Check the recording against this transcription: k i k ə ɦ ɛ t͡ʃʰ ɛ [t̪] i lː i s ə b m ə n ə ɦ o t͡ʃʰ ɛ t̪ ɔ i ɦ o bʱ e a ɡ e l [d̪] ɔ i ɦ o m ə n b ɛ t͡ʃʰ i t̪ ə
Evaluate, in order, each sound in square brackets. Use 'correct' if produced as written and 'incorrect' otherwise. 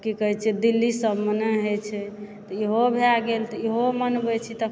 incorrect, incorrect

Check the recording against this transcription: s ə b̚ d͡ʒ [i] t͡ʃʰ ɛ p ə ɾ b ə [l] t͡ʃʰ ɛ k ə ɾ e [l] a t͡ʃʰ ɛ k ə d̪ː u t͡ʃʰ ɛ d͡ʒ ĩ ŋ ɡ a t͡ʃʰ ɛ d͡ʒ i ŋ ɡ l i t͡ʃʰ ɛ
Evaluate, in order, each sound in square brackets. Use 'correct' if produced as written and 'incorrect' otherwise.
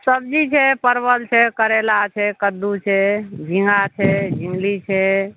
correct, correct, correct

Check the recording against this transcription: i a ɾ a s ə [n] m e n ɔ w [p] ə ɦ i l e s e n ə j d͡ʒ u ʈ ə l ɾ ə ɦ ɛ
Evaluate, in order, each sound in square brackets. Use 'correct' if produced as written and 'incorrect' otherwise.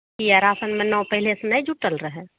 correct, correct

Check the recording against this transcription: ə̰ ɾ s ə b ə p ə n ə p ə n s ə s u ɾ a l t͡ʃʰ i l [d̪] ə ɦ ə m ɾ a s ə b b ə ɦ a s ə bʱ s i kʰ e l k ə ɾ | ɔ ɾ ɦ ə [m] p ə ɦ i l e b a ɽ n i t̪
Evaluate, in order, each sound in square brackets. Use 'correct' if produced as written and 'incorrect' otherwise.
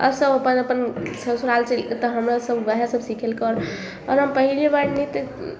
incorrect, correct

